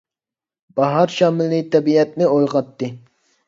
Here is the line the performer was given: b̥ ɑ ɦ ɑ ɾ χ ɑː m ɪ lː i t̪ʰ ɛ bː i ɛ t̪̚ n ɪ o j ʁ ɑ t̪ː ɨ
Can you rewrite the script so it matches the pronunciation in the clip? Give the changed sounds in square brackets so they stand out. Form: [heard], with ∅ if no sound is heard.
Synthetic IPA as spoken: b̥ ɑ ɦ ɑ ɾ [ʃ] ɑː m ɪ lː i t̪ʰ ɛ [b] i ɛ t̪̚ n ɪ o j ʁ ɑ t̪ː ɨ

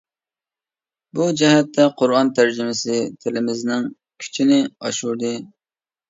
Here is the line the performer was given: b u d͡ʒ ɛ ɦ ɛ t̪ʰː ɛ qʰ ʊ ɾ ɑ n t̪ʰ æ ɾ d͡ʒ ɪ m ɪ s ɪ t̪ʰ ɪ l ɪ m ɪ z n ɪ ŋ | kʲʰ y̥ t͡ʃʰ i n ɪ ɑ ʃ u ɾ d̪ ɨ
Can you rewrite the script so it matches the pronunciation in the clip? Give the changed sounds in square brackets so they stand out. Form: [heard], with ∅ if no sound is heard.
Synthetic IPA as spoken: b u d͡ʒ ɛ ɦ ɛ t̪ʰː ɛ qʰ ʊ ɾ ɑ n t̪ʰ æ ɾ d͡ʒ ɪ m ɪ s ɪ t̪ʰ ɪ l ɪ m ɪ z n ɪ ŋ | kʲʰ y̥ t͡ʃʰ i n ɪ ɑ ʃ u ɾ d̪ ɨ

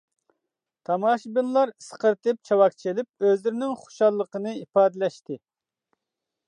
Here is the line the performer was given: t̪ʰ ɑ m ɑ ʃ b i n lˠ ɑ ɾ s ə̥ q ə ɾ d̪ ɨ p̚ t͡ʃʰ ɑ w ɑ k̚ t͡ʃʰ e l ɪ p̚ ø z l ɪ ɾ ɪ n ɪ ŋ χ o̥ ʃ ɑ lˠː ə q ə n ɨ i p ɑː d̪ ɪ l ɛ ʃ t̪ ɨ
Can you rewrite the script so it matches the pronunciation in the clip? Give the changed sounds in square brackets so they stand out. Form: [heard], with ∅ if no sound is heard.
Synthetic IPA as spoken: t̪ʰ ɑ m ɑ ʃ b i n lˠ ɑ ɾ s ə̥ q ə ɾ [t̪] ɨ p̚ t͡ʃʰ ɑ w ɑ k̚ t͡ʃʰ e l ɪ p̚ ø z l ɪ ɾ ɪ n ɪ ŋ χ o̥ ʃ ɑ lˠː ə q ə n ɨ i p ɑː d̪ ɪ l ɛ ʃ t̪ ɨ

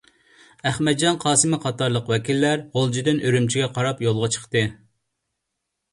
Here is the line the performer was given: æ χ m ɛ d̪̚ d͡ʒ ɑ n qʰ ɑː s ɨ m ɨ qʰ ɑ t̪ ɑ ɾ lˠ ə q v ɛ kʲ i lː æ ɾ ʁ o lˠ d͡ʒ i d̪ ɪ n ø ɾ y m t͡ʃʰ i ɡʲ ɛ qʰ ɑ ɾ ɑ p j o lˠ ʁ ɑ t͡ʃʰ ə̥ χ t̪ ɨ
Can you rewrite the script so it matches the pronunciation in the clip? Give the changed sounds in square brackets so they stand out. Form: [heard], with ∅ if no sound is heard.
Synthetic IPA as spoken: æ χ m ɛ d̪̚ d͡ʒ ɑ n qʰ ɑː s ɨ m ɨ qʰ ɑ t̪ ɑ ɾ lˠ ə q [w] ɛ kʲ i lː æ ɾ ʁ o lˠ d͡ʒ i d̪ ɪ n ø ɾ y m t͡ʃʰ i ɡʲ ɛ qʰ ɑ ɾ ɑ p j o lˠ ʁ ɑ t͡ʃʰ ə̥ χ t̪ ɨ

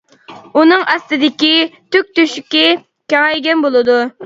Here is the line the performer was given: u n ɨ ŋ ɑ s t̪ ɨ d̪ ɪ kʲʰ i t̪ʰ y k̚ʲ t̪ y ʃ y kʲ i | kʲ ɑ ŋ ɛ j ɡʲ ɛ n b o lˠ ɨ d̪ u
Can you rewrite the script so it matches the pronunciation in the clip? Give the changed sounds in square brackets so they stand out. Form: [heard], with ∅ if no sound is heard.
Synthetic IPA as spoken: u n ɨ ŋ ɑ s t̪ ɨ d̪ ɪ [kʲ] i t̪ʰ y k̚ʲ t̪ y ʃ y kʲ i | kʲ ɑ ŋ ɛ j ɡʲ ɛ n b o lˠ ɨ d̪ u

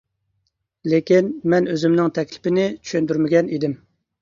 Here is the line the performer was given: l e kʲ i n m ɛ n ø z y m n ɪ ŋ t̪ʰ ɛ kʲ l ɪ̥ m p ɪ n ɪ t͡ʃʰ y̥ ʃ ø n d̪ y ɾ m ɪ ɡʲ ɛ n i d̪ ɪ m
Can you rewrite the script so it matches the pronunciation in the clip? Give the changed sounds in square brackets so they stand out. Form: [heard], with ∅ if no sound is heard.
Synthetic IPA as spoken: l e kʲ i n m ɛ n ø z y m n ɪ ŋ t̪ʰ ɛ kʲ l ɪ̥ [∅] p ɪ n ɪ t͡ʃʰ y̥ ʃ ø n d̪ y ɾ m ɪ ɡʲ ɛ n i d̪ ɪ m

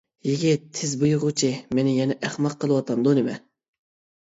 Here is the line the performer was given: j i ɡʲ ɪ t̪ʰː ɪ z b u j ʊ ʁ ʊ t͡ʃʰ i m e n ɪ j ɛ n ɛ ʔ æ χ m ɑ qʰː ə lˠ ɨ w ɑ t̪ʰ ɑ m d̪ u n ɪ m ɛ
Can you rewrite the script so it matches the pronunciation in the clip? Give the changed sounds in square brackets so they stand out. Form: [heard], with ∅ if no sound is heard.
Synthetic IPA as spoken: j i ɡʲ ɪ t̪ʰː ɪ z b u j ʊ ʁ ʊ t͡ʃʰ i m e n ɪ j ɛ n ɛ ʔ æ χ m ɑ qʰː ə lˠ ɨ w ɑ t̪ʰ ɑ m d̪ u n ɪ m ɛ

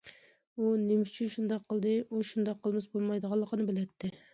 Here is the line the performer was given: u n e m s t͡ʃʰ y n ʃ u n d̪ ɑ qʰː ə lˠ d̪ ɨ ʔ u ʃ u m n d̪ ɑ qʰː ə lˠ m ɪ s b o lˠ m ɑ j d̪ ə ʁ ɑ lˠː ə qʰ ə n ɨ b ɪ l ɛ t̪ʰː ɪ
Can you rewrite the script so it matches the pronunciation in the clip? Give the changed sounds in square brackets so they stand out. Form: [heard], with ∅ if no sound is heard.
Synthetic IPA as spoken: u n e m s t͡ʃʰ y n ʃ u n d̪ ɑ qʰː ə lˠ d̪ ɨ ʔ u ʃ u [∅] n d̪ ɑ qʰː ə lˠ m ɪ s b o lˠ m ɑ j d̪ ə ʁ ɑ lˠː ə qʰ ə n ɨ b ɪ l ɛ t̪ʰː ɪ

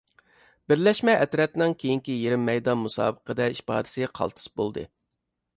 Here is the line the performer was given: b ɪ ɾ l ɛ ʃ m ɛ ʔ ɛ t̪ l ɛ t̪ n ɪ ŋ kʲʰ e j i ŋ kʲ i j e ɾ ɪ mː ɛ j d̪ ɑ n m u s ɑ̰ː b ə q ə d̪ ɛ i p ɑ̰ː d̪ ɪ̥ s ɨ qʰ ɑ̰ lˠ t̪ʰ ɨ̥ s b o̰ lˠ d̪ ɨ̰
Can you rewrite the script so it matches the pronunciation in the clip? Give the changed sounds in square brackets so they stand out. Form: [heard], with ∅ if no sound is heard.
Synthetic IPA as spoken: b ɪ ɾ l ɛ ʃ m ɛ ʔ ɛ t̪ [ɾ] ɛ t̪ n ɪ ŋ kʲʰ e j i ŋ kʲ i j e ɾ ɪ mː ɛ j d̪ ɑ n m u s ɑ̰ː b ə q ə d̪ ɛ i p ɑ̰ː d̪ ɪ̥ s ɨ qʰ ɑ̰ lˠ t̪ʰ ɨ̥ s b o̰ lˠ d̪ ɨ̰

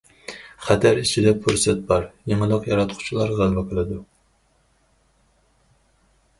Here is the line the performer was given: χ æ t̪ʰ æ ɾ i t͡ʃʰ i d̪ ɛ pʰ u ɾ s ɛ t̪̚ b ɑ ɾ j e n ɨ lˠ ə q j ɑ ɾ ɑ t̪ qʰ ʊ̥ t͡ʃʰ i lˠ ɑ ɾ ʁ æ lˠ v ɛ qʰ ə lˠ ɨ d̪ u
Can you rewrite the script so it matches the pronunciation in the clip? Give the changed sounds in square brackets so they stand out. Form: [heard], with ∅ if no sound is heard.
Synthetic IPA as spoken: χ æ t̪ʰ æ ɾ i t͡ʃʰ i d̪ ɛ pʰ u ɾ s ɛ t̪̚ b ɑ ɾ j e [ŋ] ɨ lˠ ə q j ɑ ɾ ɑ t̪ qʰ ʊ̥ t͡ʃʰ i lˠ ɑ ɾ ʁ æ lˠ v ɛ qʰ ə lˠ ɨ d̪ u

